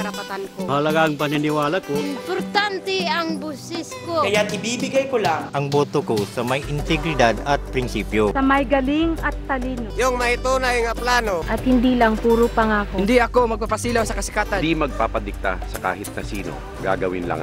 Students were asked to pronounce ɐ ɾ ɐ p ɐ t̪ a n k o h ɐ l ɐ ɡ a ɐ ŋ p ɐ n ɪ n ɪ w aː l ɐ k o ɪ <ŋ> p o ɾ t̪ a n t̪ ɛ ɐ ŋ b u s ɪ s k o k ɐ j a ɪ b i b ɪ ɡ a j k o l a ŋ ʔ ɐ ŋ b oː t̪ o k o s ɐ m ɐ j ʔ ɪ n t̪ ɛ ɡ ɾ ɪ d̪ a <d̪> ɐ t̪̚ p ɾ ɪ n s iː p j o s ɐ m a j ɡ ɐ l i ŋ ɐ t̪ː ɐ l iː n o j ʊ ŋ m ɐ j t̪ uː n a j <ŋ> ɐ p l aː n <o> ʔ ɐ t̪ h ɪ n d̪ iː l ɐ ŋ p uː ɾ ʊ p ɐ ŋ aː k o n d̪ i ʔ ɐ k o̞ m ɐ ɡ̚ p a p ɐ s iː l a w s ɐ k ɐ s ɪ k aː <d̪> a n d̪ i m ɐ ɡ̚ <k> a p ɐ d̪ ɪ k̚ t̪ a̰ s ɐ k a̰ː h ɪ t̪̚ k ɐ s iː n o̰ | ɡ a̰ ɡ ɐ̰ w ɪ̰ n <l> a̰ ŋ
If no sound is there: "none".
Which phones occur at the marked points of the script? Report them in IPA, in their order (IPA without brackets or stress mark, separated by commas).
m, d̪, ŋ, o, t̪, p, l